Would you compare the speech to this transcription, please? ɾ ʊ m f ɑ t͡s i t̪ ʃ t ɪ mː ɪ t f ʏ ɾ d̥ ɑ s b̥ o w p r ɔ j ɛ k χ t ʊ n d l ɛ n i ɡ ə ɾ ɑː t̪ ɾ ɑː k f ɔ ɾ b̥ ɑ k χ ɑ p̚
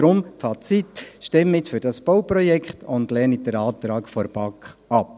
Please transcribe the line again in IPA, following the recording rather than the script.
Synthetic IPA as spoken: ɾ ʊ m f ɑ t͡s i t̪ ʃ t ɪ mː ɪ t f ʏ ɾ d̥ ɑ s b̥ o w p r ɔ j ɛ k χ t ʊ n d l ɛ n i d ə ɾ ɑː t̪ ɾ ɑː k f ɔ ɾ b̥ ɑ k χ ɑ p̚